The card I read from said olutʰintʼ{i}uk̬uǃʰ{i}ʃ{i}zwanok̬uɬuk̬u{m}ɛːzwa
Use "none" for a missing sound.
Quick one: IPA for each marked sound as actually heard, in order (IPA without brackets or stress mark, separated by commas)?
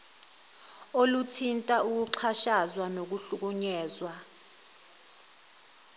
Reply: a, a, a, ɲ